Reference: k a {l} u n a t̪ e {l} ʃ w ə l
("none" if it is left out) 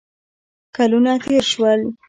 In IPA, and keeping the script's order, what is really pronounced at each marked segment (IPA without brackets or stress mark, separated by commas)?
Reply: l, ɾ